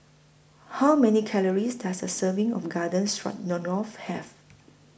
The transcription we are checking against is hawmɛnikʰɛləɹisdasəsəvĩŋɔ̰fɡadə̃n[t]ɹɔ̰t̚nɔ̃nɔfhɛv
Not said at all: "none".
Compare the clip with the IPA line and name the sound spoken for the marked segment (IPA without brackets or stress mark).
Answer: s